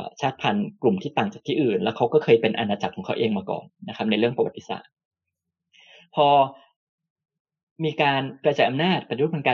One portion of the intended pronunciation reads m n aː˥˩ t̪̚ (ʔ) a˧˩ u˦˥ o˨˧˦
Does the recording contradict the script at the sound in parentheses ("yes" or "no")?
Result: yes